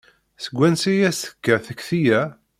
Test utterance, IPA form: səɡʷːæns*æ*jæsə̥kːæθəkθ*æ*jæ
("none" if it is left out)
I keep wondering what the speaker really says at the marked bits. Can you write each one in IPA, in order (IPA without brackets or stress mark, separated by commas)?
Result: i, i